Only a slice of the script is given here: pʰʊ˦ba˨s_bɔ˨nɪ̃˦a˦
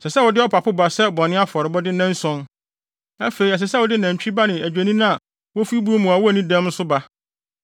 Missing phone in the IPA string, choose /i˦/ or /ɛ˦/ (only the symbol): ɛ˦